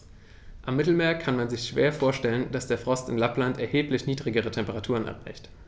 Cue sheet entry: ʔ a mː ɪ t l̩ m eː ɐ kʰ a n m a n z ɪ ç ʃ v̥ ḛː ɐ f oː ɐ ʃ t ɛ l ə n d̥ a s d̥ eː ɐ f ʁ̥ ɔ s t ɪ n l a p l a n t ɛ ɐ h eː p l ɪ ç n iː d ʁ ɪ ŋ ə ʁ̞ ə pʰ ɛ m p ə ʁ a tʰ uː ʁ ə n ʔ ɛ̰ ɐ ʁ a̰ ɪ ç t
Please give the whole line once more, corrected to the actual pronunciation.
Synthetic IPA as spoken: ʔ a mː ɪ t l̩ m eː ɐ kʰ a n m a n z ɪ ç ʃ v̥ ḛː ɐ f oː ɐ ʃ t ɛ l ə n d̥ a s d̥ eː ɐ f ʁ̥ ɔ s t ɪ n l a p l a n t ɛ ɐ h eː p l ɪ ç n iː d ʁ ɪ ɡ ə ʁ̞ ə tʰ ɛ m p ə ʁ a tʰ uː ʁ ə n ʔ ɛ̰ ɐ ʁ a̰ ɪ ç t